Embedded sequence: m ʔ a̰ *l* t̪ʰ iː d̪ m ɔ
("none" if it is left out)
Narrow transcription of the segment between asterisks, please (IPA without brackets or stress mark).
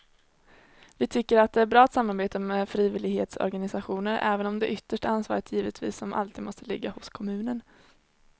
l